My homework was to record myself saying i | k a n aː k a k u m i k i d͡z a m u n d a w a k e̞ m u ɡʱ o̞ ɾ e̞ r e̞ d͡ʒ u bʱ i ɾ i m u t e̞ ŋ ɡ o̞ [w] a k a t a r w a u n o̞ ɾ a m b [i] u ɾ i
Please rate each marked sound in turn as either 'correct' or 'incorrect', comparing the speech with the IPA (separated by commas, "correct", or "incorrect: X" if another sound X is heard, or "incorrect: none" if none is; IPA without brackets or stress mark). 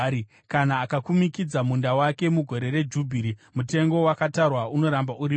correct, incorrect: a